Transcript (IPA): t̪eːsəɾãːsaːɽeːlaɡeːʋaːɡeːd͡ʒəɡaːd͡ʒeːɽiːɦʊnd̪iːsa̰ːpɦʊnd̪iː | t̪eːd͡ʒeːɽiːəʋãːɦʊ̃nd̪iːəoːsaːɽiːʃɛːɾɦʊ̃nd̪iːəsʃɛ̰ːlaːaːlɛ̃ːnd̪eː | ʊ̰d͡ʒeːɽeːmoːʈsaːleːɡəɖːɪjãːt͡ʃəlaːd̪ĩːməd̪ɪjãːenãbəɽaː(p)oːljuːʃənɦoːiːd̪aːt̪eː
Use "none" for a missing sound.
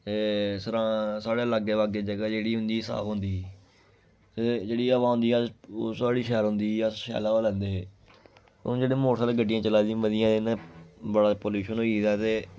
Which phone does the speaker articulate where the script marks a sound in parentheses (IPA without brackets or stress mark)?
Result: p